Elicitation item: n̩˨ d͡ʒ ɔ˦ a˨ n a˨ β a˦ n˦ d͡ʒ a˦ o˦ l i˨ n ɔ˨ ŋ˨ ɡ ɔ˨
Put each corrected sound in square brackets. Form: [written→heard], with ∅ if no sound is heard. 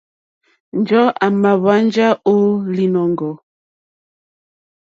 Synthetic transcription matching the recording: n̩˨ d͡ʒ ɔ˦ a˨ [n→m] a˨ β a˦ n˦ d͡ʒ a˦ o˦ l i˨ n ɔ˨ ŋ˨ ɡ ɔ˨